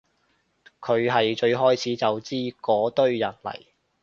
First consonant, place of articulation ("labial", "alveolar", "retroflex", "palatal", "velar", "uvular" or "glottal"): velar